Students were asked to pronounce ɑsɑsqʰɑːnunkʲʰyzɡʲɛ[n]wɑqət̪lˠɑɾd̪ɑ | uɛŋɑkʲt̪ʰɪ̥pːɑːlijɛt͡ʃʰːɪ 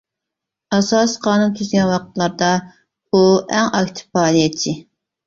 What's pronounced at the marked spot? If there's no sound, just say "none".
n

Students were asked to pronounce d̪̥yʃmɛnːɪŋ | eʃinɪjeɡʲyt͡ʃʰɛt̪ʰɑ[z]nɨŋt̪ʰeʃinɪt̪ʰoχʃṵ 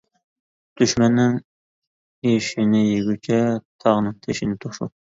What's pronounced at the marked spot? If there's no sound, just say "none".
ʁ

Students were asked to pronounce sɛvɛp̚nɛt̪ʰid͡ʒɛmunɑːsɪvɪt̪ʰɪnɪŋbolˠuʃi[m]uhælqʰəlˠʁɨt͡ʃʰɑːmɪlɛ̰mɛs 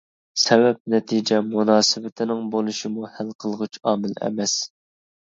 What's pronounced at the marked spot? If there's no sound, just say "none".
m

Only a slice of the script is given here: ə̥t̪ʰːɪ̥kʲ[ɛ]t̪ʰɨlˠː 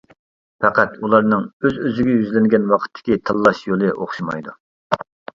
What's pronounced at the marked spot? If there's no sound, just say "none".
i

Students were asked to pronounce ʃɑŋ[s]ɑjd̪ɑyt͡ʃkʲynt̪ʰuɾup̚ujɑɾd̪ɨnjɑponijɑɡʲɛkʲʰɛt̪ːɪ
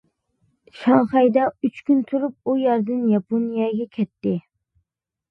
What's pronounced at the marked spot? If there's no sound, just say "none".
χ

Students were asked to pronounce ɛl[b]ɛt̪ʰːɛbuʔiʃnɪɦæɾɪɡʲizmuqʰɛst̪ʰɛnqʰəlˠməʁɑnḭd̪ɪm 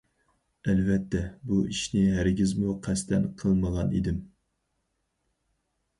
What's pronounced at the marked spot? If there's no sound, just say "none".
v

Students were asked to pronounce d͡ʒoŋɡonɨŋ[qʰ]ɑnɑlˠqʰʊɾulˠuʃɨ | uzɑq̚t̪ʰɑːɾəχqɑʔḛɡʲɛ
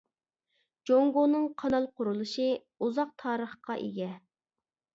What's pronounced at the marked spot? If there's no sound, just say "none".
qʰ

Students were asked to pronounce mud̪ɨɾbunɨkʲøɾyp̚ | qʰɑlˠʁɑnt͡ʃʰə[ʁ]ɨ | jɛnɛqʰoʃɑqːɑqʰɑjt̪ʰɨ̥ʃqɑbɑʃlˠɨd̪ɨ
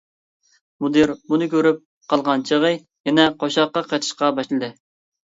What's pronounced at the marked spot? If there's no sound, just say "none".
ʁ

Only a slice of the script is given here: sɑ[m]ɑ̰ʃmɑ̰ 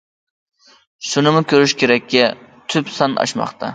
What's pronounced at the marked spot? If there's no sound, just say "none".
n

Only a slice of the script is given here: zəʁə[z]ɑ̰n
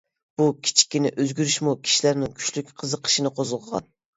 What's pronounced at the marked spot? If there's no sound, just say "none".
ʁ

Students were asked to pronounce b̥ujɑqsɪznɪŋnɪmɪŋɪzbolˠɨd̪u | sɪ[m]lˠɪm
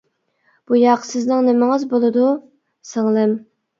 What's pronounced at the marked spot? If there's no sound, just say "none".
ŋ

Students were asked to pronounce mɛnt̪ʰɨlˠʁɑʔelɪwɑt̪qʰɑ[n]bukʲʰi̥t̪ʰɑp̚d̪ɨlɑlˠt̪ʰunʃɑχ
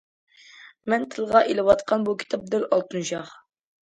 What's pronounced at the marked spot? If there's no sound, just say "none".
n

